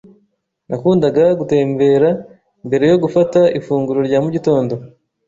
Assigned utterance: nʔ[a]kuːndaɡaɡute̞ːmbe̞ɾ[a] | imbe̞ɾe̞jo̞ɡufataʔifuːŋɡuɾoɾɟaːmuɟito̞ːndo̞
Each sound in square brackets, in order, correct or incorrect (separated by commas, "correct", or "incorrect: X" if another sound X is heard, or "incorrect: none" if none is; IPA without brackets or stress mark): correct, correct